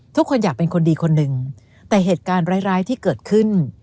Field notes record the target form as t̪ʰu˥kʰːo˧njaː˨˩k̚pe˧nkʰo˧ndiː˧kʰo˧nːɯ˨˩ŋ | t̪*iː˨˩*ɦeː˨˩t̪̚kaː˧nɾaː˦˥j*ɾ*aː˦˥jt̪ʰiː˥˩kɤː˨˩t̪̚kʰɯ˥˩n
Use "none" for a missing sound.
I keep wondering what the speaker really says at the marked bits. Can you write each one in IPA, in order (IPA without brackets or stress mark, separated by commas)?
ɛː˨˩, ɾ